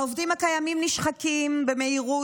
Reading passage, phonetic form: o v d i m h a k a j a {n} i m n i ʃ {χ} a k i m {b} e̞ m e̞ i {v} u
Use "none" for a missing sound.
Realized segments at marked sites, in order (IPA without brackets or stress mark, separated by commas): m, χ, b, ʁ